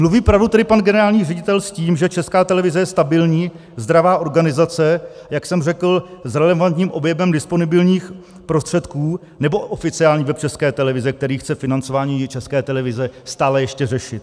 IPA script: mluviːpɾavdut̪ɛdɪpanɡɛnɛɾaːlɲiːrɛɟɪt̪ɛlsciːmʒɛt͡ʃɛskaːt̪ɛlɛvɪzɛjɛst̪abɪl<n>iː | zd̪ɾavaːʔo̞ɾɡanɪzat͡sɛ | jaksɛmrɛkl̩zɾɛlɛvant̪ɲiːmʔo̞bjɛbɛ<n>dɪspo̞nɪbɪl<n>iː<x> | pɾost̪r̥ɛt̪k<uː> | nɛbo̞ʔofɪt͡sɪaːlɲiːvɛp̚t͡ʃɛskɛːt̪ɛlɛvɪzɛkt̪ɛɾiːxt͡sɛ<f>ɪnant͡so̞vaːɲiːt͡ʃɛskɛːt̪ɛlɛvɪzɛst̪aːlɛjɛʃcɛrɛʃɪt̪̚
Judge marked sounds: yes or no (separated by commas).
no, no, no, yes, yes, yes